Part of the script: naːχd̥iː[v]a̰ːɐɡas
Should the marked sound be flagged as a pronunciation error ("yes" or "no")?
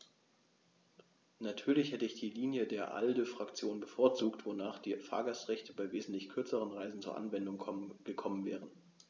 yes